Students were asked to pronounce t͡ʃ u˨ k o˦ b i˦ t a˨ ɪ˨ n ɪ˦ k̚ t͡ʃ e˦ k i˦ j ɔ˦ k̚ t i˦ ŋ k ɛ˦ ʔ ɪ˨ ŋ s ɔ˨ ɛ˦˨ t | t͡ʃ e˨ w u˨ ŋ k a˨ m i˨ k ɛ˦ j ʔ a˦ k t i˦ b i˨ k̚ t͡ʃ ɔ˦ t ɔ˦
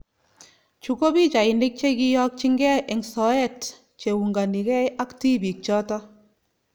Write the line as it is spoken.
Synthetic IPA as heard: t͡ʃ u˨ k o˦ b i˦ t͡ʃ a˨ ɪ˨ n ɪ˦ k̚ t͡ʃ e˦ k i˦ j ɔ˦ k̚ t͡ʃ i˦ ŋ ɡ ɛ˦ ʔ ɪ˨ ŋ s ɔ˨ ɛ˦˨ t | t͡ʃ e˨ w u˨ ŋ ɡ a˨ n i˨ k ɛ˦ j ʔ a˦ k t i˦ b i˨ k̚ t͡ʃ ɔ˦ t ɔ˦

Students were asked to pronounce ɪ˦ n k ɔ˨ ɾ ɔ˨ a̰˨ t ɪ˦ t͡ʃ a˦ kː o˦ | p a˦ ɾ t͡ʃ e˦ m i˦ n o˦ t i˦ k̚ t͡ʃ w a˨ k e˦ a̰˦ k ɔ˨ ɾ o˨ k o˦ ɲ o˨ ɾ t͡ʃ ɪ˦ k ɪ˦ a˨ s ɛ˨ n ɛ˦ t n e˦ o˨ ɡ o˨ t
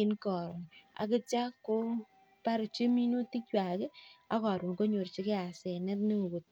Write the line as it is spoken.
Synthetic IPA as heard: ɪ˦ n k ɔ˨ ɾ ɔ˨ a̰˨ k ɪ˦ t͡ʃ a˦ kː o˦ | p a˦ ɾ t͡ʃ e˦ m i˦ n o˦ t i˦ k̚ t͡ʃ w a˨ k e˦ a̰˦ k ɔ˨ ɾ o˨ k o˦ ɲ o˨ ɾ t͡ʃ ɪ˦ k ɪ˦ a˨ s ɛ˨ n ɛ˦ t n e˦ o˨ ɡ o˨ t

